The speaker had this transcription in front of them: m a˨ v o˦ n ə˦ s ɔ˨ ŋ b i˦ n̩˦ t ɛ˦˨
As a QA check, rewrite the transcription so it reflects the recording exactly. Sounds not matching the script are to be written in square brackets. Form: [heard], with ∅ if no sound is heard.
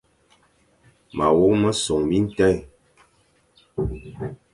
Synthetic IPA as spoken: m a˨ [w] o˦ [m] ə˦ s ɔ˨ ŋ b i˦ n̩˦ t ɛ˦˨